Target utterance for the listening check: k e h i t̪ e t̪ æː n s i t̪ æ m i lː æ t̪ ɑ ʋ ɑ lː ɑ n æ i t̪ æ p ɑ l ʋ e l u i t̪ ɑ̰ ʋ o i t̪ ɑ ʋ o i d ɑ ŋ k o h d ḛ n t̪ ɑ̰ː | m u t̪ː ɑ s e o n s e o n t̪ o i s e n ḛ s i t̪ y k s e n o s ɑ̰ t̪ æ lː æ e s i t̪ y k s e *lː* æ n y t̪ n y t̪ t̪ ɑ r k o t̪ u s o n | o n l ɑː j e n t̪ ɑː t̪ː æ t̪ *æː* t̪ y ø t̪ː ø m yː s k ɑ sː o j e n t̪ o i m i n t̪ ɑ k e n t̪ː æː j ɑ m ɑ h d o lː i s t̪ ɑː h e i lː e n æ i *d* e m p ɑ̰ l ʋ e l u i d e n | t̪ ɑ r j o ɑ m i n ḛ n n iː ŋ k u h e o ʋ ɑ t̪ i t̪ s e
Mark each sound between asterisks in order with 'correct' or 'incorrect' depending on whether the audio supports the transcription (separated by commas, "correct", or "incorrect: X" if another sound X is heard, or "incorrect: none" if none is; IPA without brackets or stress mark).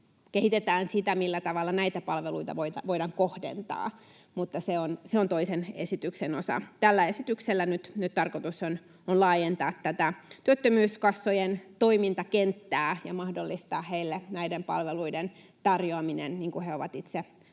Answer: correct, incorrect: æ, correct